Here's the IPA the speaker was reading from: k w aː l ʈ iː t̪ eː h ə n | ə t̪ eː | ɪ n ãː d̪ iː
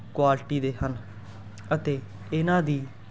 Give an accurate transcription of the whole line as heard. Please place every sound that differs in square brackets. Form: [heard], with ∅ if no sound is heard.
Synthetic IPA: k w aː l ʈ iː [d̪] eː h ə n | ə t̪ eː | ɪ n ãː d̪ iː